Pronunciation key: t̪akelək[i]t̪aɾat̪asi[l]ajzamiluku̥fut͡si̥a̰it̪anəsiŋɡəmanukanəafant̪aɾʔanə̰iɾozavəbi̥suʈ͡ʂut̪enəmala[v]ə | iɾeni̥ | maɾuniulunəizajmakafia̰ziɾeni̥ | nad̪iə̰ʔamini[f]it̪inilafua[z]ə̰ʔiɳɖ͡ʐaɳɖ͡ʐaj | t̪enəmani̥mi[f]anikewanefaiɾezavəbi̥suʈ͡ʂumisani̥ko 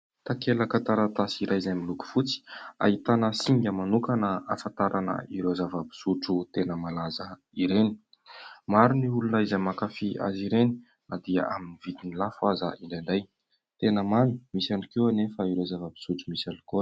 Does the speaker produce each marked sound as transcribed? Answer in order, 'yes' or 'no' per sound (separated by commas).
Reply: no, no, no, no, yes, no